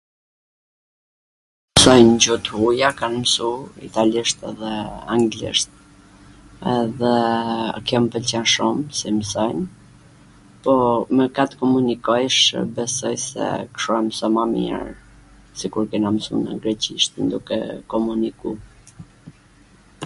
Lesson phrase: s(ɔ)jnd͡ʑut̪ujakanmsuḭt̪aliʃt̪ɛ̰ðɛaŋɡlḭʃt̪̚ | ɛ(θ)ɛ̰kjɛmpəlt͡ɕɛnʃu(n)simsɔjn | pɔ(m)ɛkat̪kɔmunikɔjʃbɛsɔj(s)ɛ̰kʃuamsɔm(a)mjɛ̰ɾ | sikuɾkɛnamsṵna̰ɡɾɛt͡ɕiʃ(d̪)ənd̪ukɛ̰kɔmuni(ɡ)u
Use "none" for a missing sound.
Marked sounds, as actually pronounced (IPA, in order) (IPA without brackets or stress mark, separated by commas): ɔ, ð, m, m, s, a, t̪, k